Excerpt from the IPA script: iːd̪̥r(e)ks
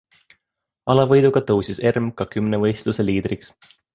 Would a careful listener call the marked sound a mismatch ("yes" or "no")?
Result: yes